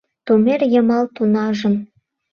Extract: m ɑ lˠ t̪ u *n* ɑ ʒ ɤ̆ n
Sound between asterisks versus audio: correct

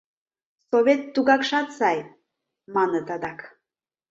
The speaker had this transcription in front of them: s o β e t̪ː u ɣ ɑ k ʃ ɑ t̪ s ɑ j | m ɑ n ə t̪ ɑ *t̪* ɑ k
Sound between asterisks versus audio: incorrect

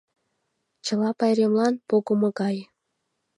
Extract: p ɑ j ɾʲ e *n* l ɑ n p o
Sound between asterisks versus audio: incorrect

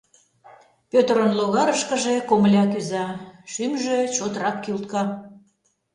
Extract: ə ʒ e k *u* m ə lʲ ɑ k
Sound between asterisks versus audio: incorrect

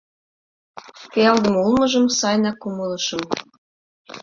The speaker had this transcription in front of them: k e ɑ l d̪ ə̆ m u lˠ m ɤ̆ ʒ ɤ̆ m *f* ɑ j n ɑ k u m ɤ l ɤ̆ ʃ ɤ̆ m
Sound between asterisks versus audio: incorrect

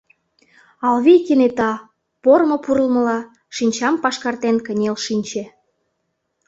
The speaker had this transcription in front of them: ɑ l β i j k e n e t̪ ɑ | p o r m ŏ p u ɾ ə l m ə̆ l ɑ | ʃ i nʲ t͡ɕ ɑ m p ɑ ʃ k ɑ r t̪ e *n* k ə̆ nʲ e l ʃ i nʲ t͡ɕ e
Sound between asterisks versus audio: correct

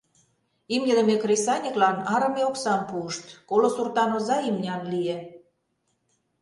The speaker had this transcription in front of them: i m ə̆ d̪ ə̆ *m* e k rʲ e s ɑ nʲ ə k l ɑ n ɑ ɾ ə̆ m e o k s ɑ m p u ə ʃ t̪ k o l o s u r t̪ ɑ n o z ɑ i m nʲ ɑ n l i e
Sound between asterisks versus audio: correct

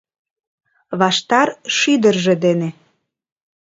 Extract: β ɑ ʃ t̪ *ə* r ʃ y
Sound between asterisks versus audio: incorrect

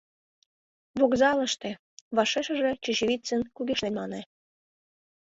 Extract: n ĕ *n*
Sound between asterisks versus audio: incorrect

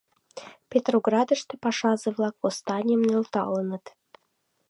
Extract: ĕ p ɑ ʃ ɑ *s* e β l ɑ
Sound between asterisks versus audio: incorrect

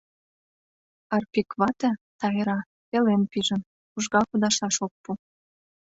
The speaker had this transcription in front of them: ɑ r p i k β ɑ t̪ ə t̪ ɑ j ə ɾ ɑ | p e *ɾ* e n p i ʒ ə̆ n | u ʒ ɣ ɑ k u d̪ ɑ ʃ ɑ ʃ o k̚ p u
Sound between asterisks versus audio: incorrect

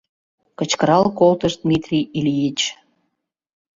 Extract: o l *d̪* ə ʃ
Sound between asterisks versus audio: incorrect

